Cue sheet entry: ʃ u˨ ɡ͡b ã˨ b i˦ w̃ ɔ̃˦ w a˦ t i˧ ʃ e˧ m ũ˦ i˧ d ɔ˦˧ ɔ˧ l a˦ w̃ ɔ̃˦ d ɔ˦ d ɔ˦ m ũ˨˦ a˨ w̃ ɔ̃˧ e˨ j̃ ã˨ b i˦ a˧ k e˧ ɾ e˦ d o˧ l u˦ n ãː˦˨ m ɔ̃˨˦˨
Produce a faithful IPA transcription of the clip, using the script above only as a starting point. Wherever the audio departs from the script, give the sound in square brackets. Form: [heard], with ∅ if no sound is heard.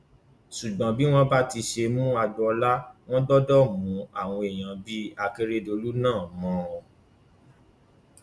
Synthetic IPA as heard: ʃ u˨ ɡ͡b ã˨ b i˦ w̃ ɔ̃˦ [b] a˦ t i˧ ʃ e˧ m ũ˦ [a˧] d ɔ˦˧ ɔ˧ l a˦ w̃ ɔ̃˦ d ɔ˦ d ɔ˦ m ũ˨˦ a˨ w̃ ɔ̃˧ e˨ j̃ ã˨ b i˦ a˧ k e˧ ɾ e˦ d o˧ l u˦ n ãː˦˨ m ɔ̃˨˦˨